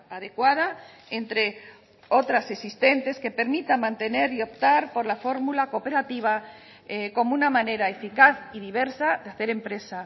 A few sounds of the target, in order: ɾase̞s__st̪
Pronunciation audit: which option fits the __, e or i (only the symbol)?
i